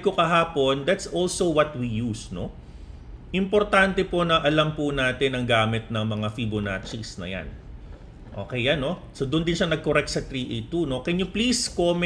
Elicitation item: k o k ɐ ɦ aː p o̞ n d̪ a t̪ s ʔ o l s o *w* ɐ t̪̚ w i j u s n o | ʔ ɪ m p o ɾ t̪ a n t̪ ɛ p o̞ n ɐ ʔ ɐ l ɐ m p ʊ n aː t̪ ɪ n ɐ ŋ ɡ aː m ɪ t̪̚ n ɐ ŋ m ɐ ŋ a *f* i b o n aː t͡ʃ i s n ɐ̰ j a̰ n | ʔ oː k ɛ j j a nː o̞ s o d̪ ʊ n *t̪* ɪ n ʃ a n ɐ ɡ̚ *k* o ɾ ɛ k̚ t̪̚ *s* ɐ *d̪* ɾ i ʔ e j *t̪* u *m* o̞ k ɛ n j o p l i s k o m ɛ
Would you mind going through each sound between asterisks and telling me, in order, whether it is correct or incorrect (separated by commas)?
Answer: correct, correct, incorrect, correct, correct, incorrect, correct, incorrect